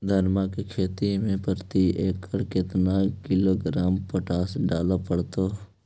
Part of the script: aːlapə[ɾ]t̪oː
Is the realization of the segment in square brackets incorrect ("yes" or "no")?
yes